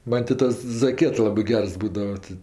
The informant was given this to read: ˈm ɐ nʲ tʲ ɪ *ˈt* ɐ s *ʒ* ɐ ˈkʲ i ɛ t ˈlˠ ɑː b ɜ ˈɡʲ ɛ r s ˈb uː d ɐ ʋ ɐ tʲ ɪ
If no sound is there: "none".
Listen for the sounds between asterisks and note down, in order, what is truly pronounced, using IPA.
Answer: t, z

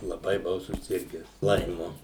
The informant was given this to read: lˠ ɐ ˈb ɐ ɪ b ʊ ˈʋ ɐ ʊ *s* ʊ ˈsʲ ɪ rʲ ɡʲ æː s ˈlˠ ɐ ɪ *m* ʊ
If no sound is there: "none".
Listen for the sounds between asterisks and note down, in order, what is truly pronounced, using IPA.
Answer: s, m

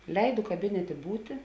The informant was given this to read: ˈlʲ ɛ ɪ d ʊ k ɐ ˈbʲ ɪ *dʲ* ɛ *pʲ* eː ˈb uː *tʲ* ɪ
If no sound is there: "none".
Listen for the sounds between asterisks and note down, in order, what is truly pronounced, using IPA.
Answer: nʲ, tʲ, tʲ

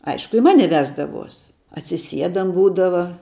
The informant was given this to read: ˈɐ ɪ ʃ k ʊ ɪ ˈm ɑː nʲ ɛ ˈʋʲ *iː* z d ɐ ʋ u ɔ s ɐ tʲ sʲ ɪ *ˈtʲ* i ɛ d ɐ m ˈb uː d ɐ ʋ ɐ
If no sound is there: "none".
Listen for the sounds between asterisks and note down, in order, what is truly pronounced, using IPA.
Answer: æː, sʲ

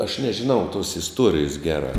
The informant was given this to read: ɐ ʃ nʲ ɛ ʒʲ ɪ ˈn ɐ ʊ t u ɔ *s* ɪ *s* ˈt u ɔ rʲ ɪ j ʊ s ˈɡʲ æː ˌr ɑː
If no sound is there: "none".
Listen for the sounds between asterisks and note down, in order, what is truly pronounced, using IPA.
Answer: s, s

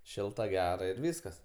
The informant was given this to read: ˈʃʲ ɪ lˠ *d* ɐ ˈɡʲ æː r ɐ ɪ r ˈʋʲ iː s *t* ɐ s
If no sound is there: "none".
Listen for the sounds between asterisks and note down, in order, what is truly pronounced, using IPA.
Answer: t, k

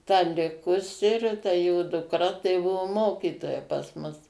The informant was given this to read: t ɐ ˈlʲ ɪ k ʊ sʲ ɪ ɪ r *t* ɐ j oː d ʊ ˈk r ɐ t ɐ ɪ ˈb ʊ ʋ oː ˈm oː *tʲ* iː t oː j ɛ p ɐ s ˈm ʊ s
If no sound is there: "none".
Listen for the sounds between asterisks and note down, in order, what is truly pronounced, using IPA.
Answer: t, kʲ

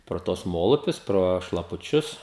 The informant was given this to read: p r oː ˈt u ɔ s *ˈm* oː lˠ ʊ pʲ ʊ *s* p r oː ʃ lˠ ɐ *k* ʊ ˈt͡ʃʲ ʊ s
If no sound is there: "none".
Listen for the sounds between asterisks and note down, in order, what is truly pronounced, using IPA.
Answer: m, s, p

